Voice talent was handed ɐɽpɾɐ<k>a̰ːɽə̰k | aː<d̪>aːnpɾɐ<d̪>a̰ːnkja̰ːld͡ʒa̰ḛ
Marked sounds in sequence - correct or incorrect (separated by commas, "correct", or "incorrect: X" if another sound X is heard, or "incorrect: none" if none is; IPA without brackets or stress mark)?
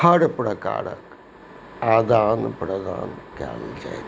correct, correct, correct